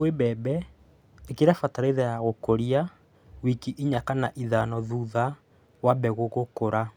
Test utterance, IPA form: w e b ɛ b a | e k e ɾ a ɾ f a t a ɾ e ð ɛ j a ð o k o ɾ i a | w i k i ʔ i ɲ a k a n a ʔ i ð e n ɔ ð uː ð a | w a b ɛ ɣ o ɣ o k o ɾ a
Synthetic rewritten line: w e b ɛ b ɛ | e k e ɾ a f a t a ɾ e ð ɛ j a ɣ o k o ɾ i a | w i k i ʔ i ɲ a k a n a ʔ i ð a n ɔ ð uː ð a | w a b ɛ ɣ o ɣ o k o ɾ a

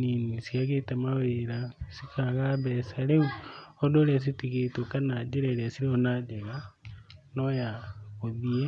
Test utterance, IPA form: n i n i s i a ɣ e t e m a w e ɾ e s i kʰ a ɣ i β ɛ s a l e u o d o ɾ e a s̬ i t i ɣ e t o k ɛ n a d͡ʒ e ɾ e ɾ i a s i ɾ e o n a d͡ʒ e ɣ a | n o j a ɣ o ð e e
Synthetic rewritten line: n i n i s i a ɣ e t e m a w e ɾ a s i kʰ a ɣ a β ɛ s a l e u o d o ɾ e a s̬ i t i ɣ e t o k a n a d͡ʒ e ɾ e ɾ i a s i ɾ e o n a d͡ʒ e ɣ a | n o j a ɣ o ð i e

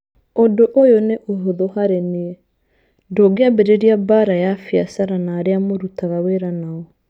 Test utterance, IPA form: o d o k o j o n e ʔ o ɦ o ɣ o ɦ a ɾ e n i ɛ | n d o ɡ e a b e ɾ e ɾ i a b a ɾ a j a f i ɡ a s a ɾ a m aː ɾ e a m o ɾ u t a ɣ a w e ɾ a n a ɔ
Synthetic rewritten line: o d o ʔ o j o n e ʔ o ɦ o ð o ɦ a ɾ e n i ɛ | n d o ɡ e a b e ɾ e ɾ i a b a ɾ a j a f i a s a ɾ a n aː ɾ e a m o ɾ u t a ɣ a w e ɾ a n a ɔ

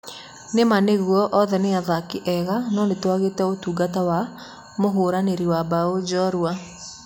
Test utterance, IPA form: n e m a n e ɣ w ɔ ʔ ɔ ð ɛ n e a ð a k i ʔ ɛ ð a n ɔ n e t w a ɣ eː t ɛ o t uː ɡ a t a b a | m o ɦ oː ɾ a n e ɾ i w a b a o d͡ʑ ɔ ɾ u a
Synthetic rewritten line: n e m a n e ɣ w ɔ ʔ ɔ ð ɛ n e a ð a k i ʔ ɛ ɣ a n ɔ n e t w a ɣ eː t ɛ o t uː ɡ a t a w a | m o ɦ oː ɾ a n e ɾ i w a b a o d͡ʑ ɔ ɾ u a

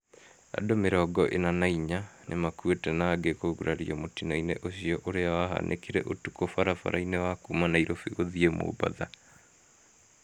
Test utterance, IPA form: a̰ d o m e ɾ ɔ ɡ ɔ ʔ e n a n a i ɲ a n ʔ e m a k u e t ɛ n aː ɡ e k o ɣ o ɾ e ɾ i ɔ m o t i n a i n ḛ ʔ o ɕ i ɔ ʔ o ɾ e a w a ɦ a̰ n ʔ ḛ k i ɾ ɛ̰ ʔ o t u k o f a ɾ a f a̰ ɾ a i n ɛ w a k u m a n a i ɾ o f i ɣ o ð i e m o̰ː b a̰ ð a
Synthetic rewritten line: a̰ d o m e ɾ ɔ ɡ ɔ ʔ e n a n a i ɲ a n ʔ e m a k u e t ɛ n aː ɡ e k o ɣ u ɾ a ɾ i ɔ m o t i n a i n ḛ ʔ o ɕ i ɔ ʔ o ɾ e a w a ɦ a̰ n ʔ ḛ k i ɾ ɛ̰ ʔ o t u k o f a ɾ a f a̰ ɾ a i n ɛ w a k u m a n a i ɾ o f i ɣ o ð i e m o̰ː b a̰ ð a

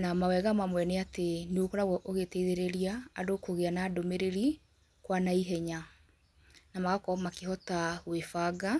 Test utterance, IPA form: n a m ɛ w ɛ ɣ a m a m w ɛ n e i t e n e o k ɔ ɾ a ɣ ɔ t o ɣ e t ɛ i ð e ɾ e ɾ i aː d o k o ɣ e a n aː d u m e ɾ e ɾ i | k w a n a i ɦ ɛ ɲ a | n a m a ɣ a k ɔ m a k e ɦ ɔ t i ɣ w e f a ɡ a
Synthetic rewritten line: n a m a w ɛ ɣ a m a m w ɛ n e a t e n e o k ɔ ɾ a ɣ ɔ ʔ o ɣ e t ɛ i ð e ɾ e ɾ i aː d o k o ɣ e a n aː d o m e ɾ e ɾ i | k w a n a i ɦ ɛ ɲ a | n a m a ɣ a k ɔ m a k e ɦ ɔ t a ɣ w e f a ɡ a

